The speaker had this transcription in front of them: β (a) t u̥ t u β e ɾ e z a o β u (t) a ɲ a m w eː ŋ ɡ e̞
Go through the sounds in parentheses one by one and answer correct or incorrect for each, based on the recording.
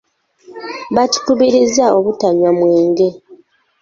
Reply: correct, correct

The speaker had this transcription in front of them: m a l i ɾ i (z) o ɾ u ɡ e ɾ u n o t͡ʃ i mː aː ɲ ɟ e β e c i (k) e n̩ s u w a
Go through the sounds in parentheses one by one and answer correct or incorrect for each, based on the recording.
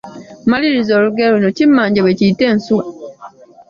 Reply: correct, incorrect: t

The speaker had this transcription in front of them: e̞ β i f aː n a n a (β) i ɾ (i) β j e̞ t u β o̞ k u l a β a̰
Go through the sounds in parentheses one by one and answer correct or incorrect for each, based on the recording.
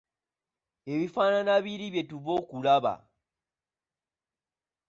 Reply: correct, correct

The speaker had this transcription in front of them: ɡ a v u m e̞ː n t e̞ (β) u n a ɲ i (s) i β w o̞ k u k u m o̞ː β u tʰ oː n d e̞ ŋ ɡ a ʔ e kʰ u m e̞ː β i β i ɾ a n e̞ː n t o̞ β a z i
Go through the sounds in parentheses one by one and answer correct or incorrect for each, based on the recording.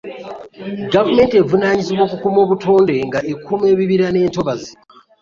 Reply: incorrect: v, incorrect: z

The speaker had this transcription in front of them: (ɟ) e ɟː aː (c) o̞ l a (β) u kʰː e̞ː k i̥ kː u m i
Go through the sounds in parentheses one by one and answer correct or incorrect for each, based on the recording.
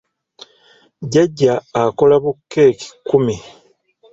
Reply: correct, incorrect: k, correct

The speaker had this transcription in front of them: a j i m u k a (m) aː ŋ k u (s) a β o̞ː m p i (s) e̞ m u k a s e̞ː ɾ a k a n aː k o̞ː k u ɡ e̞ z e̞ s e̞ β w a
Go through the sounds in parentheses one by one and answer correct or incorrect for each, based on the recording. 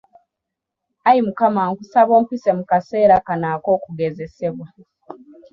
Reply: correct, correct, correct

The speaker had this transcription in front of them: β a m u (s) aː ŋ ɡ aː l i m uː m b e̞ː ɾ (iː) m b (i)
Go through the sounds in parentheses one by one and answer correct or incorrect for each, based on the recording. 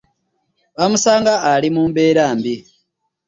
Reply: correct, incorrect: aː, correct

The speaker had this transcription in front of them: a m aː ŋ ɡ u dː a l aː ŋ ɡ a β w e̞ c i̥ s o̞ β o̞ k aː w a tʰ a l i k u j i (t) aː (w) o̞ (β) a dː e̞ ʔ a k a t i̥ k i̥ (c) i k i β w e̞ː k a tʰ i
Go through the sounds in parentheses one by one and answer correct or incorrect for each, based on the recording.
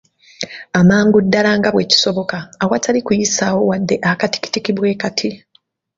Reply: incorrect: s, correct, incorrect: w, incorrect: t

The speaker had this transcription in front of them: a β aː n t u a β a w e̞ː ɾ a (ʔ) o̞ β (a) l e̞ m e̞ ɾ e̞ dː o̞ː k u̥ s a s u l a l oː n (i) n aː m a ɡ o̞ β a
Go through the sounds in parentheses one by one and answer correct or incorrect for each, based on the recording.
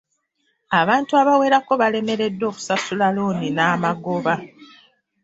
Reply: incorrect: k, correct, correct

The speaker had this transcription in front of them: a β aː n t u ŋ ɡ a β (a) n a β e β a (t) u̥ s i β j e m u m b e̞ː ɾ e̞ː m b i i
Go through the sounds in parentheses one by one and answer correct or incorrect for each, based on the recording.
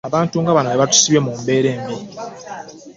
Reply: correct, correct

